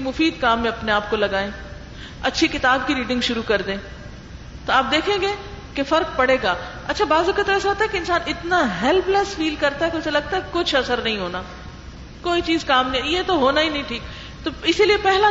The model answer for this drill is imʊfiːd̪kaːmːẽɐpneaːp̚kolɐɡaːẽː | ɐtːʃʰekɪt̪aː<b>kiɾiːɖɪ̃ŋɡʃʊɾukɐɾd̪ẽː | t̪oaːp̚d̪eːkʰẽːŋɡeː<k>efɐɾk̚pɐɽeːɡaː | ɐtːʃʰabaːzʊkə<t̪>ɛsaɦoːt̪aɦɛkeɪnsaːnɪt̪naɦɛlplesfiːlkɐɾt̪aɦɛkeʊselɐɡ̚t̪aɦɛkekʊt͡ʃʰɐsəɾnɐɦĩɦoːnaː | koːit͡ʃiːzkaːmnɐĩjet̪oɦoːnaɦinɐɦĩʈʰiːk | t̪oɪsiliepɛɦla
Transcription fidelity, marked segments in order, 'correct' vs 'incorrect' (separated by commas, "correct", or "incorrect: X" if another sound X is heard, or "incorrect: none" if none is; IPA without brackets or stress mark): correct, correct, correct